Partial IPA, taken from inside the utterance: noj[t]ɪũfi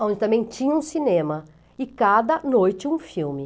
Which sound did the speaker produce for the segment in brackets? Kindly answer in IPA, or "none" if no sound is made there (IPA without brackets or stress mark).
t͡ʃ